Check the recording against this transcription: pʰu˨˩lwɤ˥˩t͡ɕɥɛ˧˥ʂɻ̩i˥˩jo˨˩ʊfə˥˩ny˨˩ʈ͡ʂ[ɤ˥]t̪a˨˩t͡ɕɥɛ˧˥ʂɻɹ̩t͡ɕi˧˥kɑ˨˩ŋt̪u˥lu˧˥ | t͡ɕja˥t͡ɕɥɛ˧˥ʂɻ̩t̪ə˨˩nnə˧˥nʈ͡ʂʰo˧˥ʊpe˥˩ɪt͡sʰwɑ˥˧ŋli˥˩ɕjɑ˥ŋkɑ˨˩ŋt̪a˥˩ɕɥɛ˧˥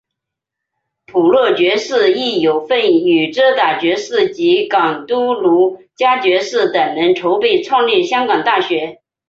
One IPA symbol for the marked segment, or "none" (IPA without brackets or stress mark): ɤ˥